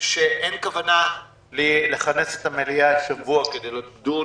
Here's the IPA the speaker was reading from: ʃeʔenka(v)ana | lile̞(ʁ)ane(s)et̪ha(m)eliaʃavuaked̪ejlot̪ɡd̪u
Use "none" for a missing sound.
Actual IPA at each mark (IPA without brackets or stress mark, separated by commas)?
v, χ, s, m